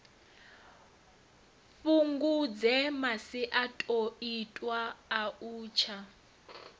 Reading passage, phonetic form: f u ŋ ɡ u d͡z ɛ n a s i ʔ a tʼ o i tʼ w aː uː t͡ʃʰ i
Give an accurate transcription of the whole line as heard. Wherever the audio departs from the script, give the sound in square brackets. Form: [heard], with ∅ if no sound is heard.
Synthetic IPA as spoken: f u ŋ ɡ u d͡z ɛ [m] a s i ʔ a tʼ o i tʼ w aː uː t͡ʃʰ [a]